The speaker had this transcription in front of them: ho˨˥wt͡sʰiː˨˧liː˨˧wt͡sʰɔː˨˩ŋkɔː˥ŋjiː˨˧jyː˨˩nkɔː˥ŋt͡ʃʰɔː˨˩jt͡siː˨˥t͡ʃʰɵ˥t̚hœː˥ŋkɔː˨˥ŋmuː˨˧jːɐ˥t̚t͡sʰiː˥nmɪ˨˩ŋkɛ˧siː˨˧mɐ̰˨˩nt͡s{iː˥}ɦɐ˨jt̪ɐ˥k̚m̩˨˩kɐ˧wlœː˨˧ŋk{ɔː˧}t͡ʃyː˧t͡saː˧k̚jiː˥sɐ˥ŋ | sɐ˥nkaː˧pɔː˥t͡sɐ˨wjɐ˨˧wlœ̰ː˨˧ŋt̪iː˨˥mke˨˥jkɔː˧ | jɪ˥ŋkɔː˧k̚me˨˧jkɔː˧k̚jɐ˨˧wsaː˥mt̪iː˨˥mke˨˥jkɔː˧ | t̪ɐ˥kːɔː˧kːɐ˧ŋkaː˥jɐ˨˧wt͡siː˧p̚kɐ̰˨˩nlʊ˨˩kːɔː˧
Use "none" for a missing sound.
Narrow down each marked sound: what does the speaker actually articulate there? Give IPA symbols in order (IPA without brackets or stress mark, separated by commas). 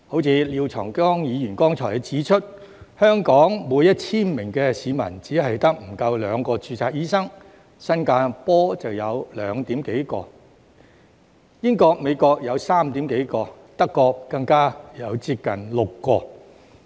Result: iː˨˥, ɔː˧